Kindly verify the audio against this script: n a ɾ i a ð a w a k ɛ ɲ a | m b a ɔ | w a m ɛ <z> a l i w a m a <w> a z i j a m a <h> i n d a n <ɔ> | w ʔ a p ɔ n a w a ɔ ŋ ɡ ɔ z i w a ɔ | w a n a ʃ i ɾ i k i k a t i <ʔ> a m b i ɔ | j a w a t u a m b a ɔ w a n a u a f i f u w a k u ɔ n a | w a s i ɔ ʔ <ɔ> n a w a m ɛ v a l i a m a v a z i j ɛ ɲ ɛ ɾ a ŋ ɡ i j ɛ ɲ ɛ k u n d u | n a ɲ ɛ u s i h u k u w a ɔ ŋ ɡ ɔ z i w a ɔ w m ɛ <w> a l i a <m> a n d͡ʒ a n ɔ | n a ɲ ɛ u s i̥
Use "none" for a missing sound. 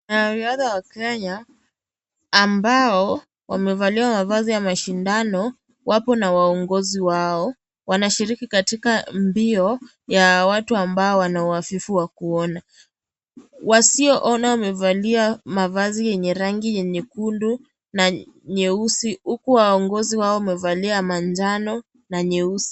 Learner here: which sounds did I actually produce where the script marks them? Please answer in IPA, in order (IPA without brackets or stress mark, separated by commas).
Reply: v, v, ʃ, ɔ, k, ɔ, v, m